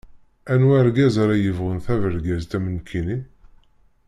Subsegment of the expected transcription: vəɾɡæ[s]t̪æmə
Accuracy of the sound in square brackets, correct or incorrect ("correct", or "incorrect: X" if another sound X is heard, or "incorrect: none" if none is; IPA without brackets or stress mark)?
incorrect: z